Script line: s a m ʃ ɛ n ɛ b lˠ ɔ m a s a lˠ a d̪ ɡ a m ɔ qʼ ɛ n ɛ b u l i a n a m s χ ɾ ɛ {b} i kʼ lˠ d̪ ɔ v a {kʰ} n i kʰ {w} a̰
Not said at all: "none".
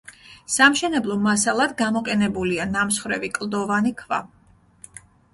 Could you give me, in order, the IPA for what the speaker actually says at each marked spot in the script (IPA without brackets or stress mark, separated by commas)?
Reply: v, none, v